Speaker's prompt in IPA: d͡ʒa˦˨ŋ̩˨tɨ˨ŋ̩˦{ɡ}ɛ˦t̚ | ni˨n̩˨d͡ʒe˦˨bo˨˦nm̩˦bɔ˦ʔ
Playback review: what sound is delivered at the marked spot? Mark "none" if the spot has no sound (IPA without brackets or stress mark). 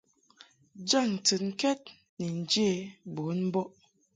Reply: k